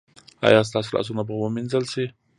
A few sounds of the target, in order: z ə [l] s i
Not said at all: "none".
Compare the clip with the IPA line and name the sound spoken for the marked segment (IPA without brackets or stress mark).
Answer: l